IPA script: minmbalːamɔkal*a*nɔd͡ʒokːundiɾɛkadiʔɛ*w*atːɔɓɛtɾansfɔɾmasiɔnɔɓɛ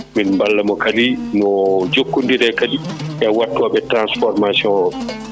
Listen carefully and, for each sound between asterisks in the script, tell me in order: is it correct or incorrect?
incorrect, correct

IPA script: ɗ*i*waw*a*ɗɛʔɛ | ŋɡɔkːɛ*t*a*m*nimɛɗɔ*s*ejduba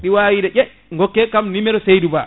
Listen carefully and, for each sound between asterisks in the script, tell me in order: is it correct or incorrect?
correct, incorrect, incorrect, correct, correct

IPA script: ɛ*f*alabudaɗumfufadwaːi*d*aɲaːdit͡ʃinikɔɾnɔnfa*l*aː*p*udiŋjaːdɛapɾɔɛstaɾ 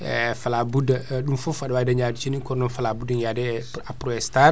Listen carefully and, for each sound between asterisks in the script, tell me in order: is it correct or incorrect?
correct, correct, correct, incorrect

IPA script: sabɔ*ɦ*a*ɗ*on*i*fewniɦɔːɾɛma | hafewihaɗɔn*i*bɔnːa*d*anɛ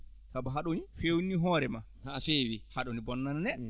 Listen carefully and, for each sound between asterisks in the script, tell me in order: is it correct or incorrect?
correct, correct, correct, correct, incorrect

